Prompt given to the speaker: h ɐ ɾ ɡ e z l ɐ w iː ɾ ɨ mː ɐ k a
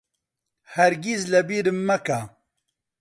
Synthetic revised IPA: h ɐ ɾ ɡ i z l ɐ b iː ɾ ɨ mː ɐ k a